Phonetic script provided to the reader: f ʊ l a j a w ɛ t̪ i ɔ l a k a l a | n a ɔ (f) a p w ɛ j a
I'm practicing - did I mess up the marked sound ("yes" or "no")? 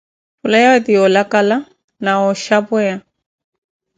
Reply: yes